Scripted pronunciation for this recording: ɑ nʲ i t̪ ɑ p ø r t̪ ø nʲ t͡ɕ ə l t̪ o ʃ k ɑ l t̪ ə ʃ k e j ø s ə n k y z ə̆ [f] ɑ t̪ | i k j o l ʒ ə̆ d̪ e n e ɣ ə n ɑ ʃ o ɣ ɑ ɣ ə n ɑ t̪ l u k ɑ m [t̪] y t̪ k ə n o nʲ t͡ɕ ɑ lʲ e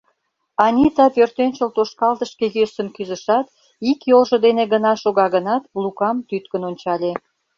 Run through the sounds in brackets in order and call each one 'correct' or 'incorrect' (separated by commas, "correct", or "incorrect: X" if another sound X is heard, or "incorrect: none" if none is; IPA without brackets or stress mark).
incorrect: ʃ, correct